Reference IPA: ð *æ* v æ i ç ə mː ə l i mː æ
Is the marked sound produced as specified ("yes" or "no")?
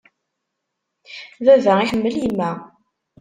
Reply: yes